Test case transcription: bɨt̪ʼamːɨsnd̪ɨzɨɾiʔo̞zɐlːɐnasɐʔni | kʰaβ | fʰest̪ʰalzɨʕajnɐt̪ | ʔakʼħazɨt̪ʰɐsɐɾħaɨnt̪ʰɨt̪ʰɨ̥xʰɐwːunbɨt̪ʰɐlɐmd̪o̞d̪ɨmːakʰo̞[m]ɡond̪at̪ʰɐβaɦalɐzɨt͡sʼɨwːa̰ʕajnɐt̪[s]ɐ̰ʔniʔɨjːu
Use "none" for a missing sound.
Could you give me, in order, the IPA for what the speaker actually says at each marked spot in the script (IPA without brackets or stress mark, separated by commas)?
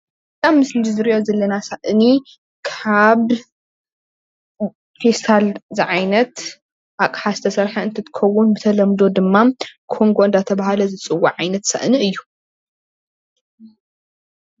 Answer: ŋ, s